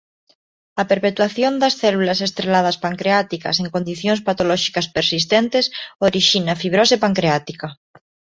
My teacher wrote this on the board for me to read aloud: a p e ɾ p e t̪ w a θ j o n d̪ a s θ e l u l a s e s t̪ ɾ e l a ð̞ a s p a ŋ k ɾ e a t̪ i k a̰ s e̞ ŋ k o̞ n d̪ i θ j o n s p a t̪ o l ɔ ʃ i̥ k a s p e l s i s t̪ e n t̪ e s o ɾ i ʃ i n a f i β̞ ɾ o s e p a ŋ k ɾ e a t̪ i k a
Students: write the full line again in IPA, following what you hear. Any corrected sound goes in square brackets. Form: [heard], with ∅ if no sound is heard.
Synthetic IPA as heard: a p e ɾ p e t̪ w a θ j o n d̪ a s θ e l u l a s e s t̪ ɾ e l a ð̞ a s p a ŋ k ɾ e a t̪ i k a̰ s e̞ ŋ k o̞ n d̪ i θ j o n s p a t̪ o l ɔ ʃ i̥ k a s p e [ɾ] s i s t̪ e n t̪ e s o ɾ i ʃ i n a f i β̞ ɾ o s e p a ŋ k ɾ e a t̪ i k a